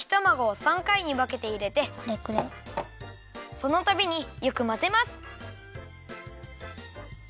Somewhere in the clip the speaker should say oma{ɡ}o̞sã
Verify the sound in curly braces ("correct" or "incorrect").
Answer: correct